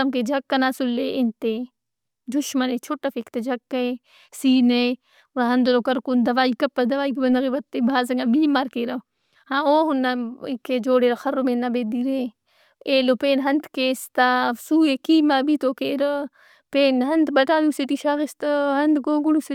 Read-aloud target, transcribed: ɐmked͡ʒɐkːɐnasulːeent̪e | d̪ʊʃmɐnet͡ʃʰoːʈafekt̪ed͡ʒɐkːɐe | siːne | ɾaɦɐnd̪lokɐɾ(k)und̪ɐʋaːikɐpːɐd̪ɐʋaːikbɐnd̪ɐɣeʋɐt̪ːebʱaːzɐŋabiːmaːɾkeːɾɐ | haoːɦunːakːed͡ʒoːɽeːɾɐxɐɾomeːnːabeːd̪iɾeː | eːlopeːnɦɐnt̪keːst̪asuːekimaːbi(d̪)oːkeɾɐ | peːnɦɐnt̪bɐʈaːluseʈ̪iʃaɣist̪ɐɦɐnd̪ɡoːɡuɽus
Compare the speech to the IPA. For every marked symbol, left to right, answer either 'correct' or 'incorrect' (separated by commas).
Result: correct, incorrect